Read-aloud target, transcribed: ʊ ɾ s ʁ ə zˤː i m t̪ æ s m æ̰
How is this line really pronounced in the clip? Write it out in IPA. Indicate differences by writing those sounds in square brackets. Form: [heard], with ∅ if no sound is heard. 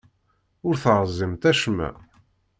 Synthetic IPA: ʊ ɾ [θ] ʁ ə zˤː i m t̪ æ [ʃ] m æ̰